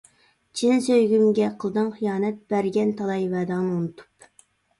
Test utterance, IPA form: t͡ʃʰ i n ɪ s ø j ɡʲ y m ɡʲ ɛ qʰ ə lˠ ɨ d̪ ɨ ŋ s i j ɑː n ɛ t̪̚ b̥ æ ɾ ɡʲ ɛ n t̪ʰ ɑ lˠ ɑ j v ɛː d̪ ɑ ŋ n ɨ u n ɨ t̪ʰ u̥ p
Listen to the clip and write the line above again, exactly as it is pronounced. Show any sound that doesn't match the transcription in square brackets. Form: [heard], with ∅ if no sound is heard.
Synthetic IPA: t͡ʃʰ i n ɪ s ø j ɡʲ y m ɡʲ ɛ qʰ ə lˠ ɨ d̪ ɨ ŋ [χ] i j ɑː n ɛ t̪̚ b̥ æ ɾ ɡʲ ɛ n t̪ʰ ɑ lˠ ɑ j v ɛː d̪ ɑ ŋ n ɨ u n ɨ t̪ʰ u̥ p